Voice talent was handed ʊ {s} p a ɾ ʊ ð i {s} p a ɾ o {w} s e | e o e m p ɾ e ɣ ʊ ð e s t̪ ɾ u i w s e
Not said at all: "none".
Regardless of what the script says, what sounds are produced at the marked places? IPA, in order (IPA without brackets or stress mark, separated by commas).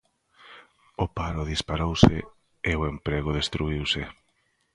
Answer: none, s, w